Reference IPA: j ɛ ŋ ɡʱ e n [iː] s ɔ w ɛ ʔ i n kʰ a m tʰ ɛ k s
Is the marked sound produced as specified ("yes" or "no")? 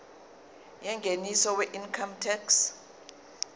no